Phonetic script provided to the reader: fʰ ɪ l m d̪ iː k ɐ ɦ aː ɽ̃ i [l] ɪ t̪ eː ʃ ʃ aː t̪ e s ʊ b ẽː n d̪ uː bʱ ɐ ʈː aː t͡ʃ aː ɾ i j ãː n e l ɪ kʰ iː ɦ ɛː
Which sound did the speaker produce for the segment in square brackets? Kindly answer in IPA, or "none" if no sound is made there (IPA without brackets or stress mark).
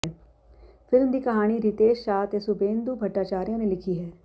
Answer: ɾ